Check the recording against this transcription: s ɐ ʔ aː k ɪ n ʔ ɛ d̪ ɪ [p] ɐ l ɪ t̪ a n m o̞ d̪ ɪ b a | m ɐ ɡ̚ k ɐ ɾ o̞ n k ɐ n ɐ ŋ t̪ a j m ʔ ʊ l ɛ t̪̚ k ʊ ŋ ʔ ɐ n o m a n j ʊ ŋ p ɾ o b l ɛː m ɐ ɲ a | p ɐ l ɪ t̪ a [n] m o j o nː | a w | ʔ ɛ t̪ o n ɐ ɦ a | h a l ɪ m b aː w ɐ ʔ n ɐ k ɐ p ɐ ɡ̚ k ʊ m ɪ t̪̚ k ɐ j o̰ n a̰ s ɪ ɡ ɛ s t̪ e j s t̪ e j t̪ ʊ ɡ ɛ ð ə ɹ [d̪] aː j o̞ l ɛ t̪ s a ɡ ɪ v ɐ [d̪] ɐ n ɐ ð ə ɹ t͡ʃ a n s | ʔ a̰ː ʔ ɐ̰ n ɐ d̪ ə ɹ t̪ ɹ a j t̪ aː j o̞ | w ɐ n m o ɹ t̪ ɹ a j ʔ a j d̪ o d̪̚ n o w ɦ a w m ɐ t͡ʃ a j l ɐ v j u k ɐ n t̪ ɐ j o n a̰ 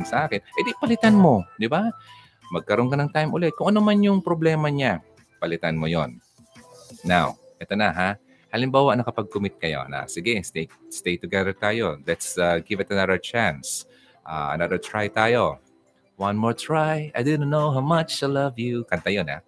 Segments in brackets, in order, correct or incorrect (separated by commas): correct, correct, incorrect, incorrect